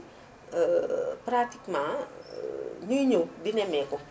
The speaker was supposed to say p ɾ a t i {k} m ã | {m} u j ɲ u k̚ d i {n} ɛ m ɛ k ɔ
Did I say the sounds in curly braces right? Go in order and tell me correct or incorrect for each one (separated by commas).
correct, incorrect, correct